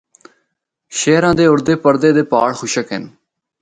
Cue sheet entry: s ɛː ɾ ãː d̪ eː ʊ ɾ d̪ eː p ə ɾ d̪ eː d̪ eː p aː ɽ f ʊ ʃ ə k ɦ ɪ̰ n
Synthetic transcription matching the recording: ʃ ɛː ɾ ãː d̪ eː ʊ ɾ d̪ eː p ə ɾ d̪ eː d̪ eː p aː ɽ x ʊ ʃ ə k ɦ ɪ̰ n